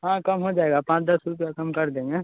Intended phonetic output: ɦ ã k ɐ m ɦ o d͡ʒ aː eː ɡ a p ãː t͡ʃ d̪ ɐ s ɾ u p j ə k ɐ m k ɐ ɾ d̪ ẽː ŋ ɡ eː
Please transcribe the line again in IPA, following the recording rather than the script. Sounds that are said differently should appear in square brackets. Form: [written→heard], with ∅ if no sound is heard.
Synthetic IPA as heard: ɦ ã k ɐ m ɦ o d͡ʒ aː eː ɡ a p ãː t͡ʃ d̪ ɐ s ɾ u p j [ə→a] k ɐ m k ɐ ɾ d̪ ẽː ŋ ɡ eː